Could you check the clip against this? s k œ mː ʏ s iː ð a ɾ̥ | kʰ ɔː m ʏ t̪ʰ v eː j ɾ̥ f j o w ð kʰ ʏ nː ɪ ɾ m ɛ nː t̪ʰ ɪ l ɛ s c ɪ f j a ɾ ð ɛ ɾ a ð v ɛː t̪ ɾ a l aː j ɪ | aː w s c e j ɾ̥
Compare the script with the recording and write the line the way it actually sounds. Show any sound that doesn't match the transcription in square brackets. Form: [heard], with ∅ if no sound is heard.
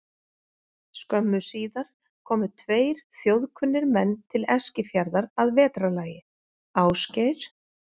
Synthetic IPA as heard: s k œ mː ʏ s iː ð a ɾ̥ | kʰ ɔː m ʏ t̪ʰ v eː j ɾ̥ [θ] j o w ð kʰ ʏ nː ɪ ɾ m ɛ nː t̪ʰ ɪ l ɛ s c ɪ f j a ɾ ð [a] ɾ a ð v ɛː t̪ ɾ a l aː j ɪ | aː w s c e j ɾ̥

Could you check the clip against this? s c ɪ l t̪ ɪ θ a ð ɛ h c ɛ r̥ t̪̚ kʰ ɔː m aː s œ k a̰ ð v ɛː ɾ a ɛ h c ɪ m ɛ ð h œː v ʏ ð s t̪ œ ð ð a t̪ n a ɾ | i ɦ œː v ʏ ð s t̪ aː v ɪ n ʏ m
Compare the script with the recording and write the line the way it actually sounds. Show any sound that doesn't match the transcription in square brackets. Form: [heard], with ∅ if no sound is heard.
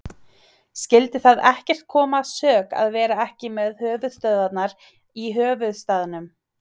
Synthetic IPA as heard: s c ɪ l t̪ ɪ θ a ð ɛ h c ɛ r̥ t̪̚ kʰ ɔː m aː s [œː] k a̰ ð v ɛː ɾ a ɛ h c ɪ m ɛ ð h œː v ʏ ð s t̪ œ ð ð a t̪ n a ɾ | i ɦ œː v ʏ ð s t̪ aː [ð] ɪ n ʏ m

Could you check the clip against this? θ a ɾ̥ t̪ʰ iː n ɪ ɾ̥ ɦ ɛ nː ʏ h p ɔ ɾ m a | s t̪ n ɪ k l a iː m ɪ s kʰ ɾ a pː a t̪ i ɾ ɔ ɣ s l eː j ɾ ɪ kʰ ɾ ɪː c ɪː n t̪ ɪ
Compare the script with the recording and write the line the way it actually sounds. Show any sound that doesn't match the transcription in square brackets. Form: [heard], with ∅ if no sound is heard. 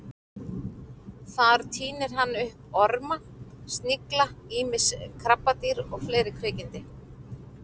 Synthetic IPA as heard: θ a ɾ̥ t̪ʰ iː n ɪ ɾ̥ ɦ [a] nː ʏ h p ɔ ɾ m a | s t̪ n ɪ k l a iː m ɪ s kʰ ɾ a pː a t̪ i ɾ ɔ ɣ [f] l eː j ɾ ɪ kʰ ɾ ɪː c [ɪ] n t̪ ɪ

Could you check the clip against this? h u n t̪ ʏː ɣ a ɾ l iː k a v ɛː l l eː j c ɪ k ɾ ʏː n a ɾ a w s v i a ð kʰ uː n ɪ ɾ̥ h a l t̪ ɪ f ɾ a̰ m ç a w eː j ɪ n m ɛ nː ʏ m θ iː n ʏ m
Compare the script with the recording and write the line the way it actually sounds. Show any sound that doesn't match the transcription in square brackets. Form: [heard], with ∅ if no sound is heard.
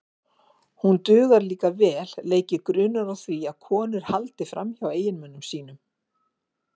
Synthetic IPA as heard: h u n t̪ ʏː ɣ a ɾ l iː k a v ɛː l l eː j c ɪ k ɾ ʏː n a ɾ a w [θ] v i a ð kʰ [ɔː] n ɪ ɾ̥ h a l t̪ ɪ f ɾ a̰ m ç a w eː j ɪ n m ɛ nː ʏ m [s] iː n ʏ m

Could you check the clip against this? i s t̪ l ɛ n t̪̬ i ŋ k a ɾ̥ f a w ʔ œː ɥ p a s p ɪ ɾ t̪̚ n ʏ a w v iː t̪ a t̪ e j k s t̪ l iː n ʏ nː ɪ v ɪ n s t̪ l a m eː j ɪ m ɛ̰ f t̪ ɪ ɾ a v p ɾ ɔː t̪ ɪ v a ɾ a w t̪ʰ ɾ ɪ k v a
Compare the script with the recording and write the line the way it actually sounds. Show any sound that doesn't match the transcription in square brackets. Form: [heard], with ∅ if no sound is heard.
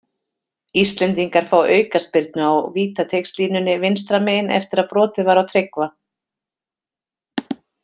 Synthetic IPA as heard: i s t̪ l ɛ n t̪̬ i ŋ k a ɾ̥ f a w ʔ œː ɥ [k] a s p ɪ ɾ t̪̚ n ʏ a w v iː t̪ a [t̪ʰ] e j k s t̪ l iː n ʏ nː ɪ v ɪ n s t̪ [ɾ] a m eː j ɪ [n] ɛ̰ f t̪ ɪ ɾ a [ð] p ɾ ɔː t̪ ɪ v a ɾ a w t̪ʰ ɾ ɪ k v a

